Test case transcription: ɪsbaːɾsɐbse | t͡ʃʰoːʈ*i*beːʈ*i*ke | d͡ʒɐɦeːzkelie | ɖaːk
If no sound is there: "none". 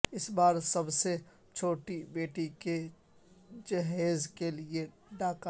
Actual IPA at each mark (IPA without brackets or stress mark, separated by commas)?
i, i